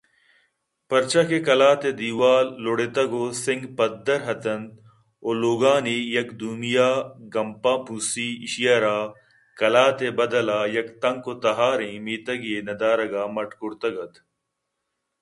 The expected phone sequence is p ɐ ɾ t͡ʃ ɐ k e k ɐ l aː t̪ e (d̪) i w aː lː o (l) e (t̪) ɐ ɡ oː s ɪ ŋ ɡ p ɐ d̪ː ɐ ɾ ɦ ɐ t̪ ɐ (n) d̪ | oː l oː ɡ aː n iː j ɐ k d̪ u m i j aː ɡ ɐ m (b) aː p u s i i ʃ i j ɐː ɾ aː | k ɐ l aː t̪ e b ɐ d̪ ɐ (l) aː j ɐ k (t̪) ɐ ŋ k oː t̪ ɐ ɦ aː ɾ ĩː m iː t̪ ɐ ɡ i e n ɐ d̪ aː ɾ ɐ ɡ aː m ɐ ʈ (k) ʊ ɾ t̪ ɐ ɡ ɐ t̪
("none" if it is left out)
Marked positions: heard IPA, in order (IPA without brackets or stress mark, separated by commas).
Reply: d̪, ɽ, t̪, n, p, l, t̪, k